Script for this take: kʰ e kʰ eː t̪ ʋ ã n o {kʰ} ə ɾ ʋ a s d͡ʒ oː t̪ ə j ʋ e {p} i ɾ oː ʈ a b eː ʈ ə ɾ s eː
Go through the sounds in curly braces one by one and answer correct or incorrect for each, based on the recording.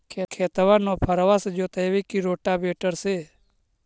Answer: incorrect, incorrect

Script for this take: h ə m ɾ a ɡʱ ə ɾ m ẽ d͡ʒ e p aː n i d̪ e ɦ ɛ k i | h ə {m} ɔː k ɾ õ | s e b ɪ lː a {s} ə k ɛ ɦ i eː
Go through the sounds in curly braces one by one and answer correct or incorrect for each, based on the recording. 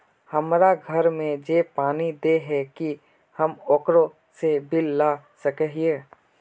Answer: correct, correct

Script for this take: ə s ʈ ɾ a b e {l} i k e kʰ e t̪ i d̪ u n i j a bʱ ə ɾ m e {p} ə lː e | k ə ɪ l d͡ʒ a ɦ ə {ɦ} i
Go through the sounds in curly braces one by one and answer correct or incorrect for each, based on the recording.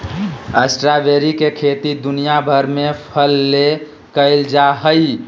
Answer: incorrect, incorrect, incorrect

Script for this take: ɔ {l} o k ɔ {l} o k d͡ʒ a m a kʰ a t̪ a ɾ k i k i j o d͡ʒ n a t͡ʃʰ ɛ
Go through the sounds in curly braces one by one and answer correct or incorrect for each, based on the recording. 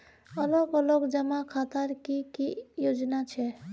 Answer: correct, correct

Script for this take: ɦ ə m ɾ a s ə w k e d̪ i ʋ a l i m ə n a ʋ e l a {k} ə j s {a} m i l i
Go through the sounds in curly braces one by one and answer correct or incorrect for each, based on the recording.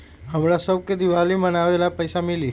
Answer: incorrect, correct

